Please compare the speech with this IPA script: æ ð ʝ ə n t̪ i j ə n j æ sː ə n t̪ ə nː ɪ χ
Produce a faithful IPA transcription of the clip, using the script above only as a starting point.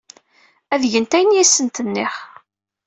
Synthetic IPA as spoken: æ ð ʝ ə n t̪ æ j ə n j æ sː ə n t̪ ə nː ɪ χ